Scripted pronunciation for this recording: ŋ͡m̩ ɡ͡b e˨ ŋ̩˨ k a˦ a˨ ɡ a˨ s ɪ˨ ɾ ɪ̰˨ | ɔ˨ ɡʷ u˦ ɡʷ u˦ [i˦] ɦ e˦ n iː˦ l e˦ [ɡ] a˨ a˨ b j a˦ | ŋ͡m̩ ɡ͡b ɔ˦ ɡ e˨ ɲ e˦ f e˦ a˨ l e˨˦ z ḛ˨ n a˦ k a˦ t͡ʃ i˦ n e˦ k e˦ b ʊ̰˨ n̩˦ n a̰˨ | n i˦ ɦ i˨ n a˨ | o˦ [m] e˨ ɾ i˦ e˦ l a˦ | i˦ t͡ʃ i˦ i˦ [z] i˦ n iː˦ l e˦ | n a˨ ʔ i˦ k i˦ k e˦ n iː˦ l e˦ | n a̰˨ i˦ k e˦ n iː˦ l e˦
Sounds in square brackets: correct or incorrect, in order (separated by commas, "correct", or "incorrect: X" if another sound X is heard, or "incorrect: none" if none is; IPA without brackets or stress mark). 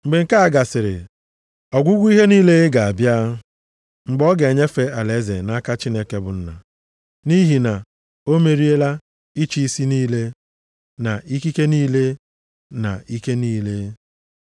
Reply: correct, correct, correct, incorrect: s